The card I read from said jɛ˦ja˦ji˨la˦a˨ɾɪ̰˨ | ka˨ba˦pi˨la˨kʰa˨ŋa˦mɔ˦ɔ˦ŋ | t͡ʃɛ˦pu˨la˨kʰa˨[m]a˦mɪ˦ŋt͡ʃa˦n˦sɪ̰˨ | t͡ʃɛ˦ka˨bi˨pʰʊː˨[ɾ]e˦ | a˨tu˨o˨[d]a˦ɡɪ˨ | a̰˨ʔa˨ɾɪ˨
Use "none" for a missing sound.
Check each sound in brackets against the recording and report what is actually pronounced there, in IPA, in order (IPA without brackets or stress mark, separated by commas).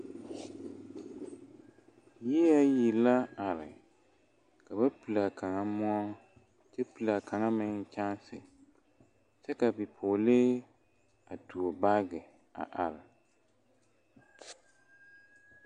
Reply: ŋ, l, b